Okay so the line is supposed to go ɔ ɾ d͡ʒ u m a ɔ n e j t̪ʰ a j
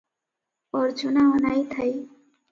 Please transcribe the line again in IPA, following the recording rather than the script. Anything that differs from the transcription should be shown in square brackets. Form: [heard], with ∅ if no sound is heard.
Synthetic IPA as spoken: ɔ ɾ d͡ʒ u [n] a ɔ n [a] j t̪ʰ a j